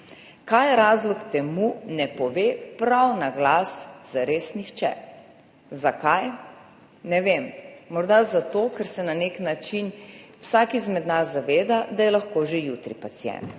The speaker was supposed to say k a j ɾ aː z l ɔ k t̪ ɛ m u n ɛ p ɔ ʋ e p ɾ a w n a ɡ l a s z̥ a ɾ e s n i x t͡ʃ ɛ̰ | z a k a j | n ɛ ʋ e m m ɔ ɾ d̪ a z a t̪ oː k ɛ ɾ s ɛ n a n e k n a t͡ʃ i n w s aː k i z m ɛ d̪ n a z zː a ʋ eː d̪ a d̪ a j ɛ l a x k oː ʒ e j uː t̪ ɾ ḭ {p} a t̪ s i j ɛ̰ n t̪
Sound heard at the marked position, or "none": p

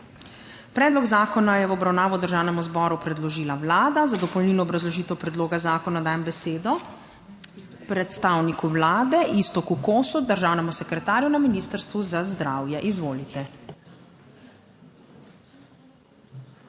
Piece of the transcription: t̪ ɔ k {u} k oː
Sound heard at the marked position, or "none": u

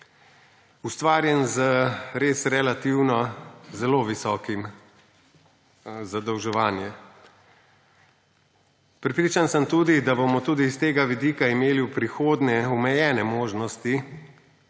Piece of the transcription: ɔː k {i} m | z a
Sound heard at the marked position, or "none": i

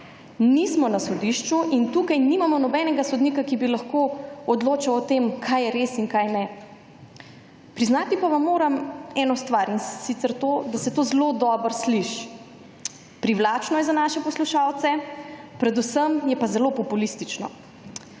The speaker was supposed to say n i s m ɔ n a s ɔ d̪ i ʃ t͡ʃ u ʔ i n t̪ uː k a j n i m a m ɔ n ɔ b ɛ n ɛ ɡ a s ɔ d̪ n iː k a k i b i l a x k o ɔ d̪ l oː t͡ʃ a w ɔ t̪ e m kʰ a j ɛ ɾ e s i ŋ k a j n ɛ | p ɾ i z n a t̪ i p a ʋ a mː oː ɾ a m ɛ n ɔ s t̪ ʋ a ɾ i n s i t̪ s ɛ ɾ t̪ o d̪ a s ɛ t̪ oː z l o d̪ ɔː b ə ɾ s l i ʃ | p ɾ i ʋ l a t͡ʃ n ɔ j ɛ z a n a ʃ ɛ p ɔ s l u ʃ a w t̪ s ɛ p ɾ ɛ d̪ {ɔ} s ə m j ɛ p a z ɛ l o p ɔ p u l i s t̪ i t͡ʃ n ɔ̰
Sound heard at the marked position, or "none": u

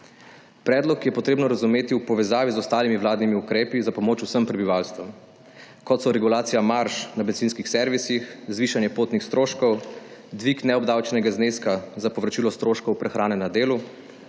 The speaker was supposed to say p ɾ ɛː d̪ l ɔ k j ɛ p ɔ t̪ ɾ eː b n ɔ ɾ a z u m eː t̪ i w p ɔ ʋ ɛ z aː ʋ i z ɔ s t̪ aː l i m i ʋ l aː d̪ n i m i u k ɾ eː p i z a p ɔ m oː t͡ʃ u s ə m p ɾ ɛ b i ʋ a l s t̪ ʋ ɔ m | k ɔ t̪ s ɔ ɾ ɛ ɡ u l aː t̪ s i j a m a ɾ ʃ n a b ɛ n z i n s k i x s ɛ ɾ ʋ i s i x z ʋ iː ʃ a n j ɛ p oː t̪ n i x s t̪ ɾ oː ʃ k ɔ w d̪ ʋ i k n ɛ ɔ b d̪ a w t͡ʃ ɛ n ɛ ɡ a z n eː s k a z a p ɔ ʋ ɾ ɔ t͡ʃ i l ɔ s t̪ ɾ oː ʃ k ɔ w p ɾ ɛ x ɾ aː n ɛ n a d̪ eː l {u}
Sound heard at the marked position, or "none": u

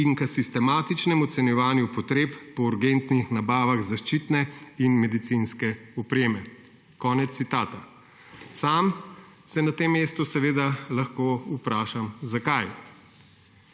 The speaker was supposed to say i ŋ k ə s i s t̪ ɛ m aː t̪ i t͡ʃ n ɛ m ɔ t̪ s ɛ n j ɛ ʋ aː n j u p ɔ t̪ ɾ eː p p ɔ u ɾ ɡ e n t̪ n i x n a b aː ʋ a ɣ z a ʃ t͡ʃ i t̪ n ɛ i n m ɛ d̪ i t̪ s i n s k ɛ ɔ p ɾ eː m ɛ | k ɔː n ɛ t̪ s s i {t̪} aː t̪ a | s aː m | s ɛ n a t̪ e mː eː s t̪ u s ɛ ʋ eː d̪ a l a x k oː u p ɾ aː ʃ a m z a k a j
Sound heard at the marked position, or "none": t̪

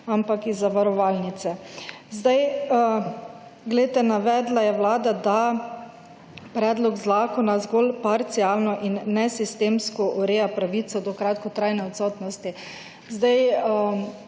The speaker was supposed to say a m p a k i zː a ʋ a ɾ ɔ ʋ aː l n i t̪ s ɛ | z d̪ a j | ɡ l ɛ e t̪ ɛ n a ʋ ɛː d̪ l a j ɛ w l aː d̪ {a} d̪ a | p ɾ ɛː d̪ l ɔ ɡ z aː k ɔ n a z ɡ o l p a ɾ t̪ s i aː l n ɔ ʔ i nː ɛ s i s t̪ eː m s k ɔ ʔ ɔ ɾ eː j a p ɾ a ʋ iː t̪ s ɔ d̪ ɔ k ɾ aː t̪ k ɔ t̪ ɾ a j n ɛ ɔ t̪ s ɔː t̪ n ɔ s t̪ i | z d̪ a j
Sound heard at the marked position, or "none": a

